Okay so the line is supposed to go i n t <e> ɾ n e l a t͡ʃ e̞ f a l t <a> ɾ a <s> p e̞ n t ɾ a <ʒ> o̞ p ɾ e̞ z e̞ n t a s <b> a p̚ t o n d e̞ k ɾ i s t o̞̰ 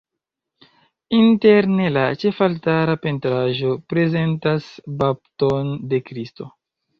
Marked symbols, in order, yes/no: yes, yes, no, yes, yes

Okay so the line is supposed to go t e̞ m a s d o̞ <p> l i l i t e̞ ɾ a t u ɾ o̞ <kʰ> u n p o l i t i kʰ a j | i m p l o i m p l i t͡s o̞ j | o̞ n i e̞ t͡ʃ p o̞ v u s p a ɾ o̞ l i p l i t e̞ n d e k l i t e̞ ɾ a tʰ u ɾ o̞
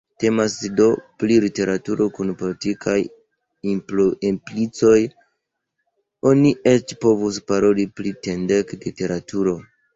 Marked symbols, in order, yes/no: yes, no

